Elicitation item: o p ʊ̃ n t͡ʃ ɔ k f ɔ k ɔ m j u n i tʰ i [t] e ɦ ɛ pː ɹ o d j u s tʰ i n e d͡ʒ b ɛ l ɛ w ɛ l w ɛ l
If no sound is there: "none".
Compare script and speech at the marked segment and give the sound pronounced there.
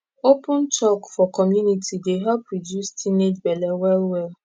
d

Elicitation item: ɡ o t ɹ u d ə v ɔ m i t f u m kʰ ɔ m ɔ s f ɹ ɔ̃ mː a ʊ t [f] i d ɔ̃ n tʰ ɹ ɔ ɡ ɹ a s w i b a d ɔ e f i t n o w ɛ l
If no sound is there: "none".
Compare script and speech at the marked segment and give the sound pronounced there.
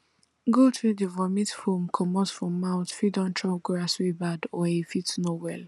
f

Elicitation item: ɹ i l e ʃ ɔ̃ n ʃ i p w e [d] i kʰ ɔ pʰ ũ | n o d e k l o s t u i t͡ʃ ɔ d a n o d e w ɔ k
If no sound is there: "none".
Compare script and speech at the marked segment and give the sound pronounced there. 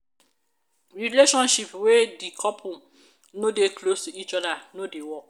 d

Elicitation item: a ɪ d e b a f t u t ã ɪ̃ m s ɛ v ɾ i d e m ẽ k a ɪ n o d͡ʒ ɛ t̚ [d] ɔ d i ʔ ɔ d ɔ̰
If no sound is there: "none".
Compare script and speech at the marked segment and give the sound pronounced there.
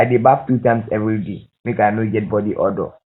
b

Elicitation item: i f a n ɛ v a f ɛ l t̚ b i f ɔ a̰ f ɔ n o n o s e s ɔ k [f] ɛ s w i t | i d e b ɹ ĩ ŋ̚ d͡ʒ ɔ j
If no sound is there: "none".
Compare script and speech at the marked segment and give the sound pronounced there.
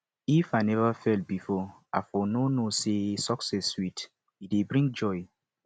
s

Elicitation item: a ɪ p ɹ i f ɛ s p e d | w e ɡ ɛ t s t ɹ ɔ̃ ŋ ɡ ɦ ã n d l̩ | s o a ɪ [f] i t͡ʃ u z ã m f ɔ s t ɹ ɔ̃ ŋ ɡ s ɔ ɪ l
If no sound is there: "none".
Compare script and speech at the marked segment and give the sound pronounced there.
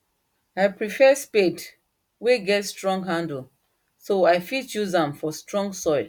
f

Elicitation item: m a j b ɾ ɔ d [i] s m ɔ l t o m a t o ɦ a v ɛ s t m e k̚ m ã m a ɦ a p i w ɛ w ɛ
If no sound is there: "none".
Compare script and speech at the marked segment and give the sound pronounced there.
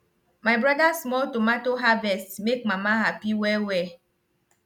a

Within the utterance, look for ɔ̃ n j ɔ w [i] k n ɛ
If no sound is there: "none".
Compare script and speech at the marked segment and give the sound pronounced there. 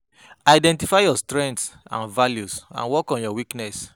i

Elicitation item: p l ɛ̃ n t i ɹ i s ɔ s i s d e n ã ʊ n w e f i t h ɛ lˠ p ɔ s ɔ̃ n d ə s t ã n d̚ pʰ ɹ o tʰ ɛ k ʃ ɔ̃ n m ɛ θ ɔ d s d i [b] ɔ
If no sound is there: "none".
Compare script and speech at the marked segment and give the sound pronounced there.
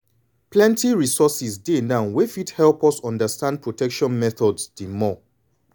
m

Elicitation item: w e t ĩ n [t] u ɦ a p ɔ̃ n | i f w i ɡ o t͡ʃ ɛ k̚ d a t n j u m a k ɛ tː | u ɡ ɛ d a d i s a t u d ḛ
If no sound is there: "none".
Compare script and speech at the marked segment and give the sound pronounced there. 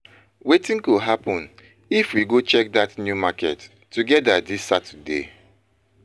k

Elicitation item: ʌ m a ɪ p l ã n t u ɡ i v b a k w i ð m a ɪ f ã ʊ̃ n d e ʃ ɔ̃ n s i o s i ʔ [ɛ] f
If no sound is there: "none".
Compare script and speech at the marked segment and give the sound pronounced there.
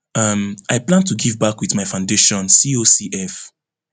ɛ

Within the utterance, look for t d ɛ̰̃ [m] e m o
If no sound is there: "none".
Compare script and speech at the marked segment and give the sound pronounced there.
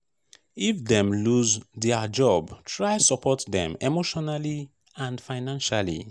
m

